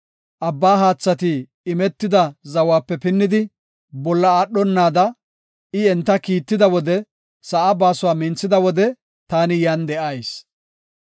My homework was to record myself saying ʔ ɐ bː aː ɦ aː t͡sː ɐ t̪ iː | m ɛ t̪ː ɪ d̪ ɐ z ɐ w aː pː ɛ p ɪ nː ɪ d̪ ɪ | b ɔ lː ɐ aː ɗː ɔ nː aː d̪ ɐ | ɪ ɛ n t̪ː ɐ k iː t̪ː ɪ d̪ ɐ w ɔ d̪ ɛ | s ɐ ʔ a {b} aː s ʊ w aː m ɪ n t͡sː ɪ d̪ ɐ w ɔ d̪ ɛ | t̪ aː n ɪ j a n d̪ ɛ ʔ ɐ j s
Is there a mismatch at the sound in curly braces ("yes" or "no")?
no